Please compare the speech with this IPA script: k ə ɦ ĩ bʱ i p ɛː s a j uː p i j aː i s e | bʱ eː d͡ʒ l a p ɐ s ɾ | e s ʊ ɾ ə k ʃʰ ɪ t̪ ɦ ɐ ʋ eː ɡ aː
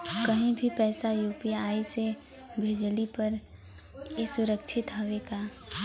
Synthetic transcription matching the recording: k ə ɦ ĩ bʱ i p ɛː s a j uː p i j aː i s e | bʱ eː d͡ʒ l i p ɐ ɾ | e s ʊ ɾ ə k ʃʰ ɪ t̪ ɦ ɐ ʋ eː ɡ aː